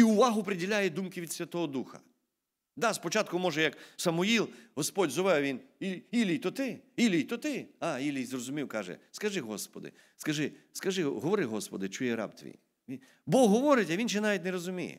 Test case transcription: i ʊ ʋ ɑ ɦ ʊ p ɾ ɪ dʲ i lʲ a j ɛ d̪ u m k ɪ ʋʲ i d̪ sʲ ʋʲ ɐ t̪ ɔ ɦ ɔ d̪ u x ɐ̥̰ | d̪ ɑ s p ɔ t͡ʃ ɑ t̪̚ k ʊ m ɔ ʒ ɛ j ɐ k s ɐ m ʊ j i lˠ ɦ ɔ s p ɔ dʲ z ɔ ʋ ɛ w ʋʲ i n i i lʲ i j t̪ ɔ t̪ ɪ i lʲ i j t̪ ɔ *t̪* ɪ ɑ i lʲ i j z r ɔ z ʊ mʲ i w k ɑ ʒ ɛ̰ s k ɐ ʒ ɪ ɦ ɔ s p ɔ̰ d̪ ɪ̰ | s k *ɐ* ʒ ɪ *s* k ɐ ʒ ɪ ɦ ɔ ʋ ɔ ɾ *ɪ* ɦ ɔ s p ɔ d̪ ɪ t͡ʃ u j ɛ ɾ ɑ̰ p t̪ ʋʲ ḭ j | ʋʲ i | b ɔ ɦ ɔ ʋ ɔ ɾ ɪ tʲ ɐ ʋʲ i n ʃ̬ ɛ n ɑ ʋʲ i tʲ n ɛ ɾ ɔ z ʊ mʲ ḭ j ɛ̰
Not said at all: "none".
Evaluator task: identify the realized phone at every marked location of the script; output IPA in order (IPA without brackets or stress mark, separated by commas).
t̪, ɐ, s, ɪ